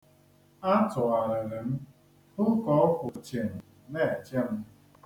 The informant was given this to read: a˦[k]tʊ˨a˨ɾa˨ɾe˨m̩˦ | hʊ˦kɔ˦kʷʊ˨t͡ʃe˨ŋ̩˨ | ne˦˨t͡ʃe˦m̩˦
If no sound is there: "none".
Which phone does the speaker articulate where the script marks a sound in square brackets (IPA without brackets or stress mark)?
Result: none